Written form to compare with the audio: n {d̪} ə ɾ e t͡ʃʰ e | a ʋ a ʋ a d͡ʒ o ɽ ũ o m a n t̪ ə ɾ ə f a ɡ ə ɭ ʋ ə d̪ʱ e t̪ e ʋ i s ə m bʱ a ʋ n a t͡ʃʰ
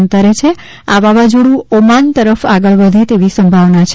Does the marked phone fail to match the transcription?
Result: yes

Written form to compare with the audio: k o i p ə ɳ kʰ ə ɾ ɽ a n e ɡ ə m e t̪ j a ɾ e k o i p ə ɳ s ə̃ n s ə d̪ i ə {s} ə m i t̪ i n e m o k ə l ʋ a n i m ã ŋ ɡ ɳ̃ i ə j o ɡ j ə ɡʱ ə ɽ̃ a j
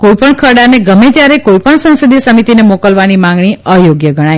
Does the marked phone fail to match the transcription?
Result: no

